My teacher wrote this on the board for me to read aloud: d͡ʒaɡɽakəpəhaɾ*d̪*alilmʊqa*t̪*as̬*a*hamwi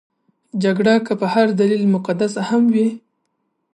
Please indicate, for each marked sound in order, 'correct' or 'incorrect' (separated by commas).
correct, incorrect, correct